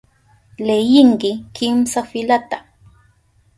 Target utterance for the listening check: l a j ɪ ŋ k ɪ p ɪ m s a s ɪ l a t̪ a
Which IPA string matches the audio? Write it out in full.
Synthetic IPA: l e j ɪ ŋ k ɪ k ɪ m s a f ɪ l a t̪ a